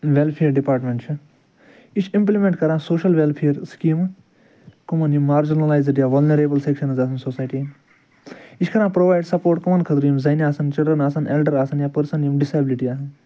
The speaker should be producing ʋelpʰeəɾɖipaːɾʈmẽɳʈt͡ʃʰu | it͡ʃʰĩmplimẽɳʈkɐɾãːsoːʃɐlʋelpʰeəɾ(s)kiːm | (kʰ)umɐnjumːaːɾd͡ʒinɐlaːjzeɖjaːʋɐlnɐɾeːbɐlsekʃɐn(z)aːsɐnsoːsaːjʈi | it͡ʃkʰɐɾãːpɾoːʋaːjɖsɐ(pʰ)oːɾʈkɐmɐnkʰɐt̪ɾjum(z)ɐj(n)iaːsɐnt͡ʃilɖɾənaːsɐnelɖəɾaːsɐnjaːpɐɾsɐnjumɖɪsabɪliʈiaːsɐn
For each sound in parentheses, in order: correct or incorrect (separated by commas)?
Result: correct, incorrect, correct, incorrect, correct, correct